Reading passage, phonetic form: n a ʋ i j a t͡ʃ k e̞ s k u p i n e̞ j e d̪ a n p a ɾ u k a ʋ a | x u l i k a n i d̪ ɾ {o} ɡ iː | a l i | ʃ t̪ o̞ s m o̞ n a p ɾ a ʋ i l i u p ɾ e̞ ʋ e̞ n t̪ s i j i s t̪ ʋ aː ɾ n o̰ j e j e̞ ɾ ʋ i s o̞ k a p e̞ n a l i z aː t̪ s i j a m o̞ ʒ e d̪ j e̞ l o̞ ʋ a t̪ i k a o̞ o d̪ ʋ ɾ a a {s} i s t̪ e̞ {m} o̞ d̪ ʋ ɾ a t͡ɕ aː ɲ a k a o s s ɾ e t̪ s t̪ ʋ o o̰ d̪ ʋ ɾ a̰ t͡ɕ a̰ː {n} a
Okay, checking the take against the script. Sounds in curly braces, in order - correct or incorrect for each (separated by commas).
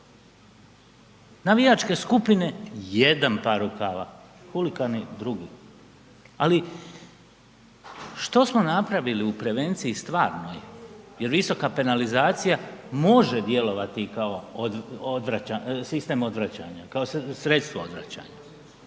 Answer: incorrect, correct, correct, incorrect